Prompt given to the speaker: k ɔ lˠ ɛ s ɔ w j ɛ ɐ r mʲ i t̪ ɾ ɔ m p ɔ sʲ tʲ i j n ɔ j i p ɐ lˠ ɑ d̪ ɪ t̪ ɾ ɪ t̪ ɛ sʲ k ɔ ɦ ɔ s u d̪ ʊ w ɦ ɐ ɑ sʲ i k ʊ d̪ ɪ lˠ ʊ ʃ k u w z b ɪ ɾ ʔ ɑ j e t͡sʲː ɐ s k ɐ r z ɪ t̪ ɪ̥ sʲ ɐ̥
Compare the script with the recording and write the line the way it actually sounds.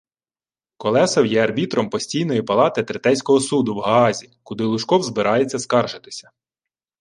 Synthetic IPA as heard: k ɔ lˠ ɛ s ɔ w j ɛ ɐ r bʲ i t̪ ɾ ɔ m p ɔ sʲ tʲ i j n ɔ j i p ɐ lˠ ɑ t̪ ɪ t̪ ɾ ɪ t̪ ɛ sʲ k ɔ ɦ ɔ s u d̪ ʊ w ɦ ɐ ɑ zʲ i k ʊ d̪ ɪ lˠ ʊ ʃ k ɔ w z b ɪ ɾ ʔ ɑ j e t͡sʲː ɐ s k ɑ r ʒ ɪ t̪ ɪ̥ sʲ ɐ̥